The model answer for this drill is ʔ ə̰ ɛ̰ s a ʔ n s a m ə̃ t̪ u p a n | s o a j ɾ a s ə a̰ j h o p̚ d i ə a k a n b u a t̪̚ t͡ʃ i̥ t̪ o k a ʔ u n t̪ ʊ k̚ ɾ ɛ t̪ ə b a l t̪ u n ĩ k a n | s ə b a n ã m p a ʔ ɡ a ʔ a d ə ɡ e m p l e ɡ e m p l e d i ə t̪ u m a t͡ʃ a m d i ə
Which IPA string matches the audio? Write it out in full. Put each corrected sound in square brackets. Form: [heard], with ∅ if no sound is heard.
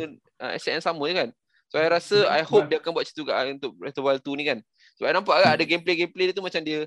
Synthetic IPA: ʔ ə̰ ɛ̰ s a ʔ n s a m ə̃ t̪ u [k] a n | s o a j ɾ a s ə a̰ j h o p̚ d i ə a k a n b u a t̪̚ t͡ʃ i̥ t̪ [u] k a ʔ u n t̪ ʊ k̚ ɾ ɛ t̪ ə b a l t̪ u n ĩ k a n | s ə b a n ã m p a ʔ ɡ a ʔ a d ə ɡ e m p l e ɡ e m p l e d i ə t̪ u m a t͡ʃ a m d i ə